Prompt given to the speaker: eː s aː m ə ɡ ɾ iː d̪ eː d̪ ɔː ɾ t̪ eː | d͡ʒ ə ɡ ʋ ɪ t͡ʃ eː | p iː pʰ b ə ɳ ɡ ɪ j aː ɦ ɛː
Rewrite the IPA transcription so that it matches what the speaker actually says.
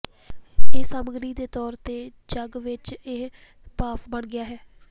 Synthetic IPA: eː s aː m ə ɡ ɾ iː d̪ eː t̪ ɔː ɾ t̪ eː | d͡ʒ ə ɡ ʋ ɪ t͡ʃ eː | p aː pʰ b ə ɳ ɡ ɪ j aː ɦ ɛː